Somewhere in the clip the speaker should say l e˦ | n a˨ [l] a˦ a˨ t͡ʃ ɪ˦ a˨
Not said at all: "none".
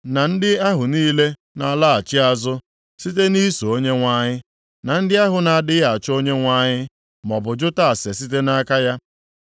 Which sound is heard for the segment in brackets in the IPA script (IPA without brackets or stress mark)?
l